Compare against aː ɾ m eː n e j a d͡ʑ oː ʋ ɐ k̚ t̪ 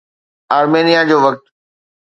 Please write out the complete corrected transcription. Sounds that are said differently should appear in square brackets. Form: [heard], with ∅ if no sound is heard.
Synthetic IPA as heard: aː ɾ m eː n [i] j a d͡ʑ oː ʋ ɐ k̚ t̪